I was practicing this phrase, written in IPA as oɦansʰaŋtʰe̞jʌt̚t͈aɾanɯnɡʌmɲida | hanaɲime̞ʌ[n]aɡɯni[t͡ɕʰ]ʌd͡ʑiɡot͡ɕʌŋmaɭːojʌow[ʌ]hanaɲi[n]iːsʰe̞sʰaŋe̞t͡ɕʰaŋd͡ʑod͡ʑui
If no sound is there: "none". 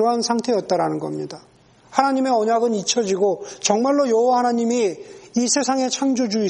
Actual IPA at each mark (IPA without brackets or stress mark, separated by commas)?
ɲ, t͡ɕʰ, a, m